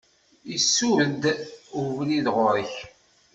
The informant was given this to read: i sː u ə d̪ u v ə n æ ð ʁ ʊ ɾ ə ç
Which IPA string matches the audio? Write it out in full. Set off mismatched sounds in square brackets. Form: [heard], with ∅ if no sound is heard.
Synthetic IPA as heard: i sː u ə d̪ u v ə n [i] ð ʁ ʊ ɾ ə ç